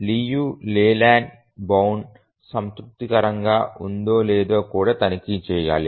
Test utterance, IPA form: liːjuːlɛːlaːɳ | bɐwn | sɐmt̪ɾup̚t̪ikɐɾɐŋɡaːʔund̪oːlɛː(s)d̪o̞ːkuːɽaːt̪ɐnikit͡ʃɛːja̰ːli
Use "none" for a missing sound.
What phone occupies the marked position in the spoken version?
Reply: none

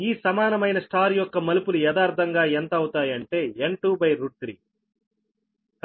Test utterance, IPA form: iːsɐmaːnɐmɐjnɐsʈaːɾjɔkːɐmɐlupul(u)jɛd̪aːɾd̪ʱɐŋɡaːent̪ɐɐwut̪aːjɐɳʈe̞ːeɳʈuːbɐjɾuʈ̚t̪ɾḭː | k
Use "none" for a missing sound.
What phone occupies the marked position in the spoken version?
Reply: u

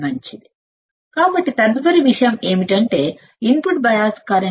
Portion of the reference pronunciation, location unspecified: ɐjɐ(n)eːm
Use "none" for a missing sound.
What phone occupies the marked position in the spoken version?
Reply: m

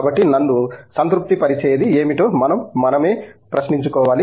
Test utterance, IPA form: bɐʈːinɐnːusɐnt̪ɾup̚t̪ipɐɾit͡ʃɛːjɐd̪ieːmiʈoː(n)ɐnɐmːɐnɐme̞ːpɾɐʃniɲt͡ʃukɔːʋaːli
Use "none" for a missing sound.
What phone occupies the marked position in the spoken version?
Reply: m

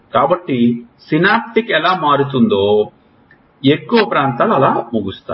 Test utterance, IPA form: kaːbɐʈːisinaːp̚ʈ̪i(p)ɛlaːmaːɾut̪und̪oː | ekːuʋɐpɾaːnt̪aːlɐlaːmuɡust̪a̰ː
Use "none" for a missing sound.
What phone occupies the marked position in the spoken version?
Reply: k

